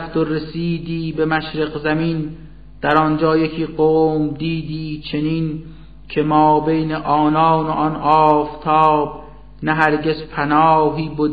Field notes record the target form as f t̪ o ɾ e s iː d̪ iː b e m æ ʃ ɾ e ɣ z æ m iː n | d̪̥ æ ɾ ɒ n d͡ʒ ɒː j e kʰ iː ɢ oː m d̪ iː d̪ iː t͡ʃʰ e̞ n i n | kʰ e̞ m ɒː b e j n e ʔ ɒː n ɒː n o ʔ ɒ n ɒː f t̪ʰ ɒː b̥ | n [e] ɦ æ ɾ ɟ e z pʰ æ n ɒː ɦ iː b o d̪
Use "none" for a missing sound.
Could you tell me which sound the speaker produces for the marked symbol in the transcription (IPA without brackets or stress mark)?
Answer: æ